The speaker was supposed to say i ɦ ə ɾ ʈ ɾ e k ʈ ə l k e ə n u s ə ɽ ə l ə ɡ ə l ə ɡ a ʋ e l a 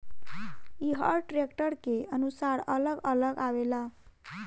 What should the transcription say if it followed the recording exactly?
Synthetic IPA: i ɦ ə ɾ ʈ ɾ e k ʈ ə ɾ k e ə n u s a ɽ ə l ə ɡ ə l ə ɡ a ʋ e l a